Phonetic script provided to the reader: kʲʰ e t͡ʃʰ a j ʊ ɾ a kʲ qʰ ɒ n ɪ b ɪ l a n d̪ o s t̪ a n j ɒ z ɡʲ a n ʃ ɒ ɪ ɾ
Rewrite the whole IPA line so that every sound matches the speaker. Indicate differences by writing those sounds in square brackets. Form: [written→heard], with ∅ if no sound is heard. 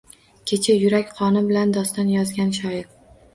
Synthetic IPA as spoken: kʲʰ e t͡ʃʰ a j ʊ ɾ a kʲ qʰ ɒ n ɪ b ɪ l a n d̪ [o→ɒ] s t̪ a n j ɒ z ɡʲ a n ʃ ɒ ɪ ɾ